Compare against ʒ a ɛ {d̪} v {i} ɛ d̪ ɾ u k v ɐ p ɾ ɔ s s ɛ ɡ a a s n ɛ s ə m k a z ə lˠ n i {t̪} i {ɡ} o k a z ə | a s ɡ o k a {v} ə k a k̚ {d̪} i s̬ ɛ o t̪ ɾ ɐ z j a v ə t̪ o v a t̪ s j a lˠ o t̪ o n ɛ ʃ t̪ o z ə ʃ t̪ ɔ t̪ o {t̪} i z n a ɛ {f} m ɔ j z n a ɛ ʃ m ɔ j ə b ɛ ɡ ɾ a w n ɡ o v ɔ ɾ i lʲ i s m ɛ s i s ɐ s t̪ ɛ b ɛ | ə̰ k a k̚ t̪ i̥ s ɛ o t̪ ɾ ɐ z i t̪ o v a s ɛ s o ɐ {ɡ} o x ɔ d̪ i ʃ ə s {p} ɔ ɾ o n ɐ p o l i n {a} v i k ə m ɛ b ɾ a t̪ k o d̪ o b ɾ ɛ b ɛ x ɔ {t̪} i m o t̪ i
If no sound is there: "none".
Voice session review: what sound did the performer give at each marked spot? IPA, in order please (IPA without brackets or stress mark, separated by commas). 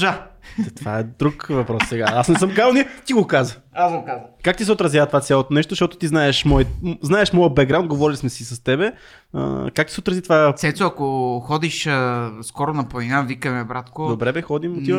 t̪, a, t̪, ɡ, z, t̪, t̪, ʃ, k, k, a, d̪